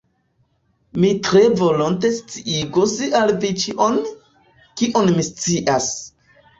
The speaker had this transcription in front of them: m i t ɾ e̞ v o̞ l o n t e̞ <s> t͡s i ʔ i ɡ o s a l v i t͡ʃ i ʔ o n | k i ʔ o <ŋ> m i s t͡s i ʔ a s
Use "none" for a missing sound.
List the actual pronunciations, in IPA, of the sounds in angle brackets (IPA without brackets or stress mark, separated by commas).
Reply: s, n